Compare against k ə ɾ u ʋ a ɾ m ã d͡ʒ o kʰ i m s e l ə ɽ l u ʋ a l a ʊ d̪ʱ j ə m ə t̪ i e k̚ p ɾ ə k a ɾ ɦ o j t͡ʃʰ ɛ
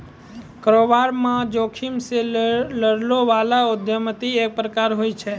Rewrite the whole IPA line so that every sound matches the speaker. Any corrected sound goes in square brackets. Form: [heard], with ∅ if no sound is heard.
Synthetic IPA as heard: k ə ɾ [o] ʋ a ɾ m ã d͡ʒ o kʰ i m s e l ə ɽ l [o] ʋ a l a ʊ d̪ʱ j ə m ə t̪ i e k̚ p ɾ ə k a ɾ ɦ o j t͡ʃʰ ɛ